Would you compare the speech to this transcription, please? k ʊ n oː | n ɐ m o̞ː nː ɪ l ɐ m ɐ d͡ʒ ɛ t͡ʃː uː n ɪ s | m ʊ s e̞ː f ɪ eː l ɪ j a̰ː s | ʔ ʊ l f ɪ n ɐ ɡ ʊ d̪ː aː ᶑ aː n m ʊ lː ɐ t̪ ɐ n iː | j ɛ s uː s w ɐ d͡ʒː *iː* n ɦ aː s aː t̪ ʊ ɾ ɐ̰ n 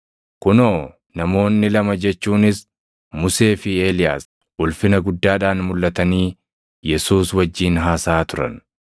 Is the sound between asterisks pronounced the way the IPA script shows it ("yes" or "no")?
yes